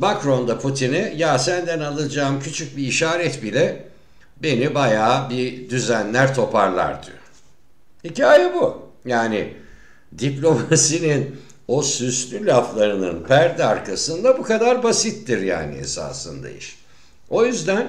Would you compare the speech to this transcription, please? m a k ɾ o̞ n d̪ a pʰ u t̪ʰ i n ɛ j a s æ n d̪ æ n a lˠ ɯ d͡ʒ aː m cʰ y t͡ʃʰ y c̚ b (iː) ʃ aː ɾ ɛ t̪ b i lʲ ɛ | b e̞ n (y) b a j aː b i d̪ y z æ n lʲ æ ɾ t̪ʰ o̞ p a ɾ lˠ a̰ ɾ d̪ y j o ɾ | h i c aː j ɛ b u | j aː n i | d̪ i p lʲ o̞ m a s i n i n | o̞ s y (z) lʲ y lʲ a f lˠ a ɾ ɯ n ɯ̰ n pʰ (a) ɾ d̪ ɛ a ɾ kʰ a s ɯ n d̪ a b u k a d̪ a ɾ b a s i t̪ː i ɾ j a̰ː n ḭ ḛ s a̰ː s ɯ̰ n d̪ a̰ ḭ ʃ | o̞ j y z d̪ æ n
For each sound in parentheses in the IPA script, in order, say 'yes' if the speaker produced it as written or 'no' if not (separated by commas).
yes, no, no, no